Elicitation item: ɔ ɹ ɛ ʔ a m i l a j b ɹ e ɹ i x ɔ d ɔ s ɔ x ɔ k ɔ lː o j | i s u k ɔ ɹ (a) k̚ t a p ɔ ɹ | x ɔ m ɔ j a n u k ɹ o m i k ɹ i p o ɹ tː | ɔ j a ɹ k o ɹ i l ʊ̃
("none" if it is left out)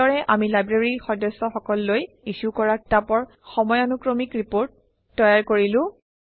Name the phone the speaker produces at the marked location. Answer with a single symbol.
a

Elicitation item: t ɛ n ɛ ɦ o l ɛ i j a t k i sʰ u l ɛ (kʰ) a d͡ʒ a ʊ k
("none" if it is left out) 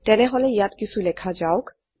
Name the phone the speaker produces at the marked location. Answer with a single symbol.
kʰ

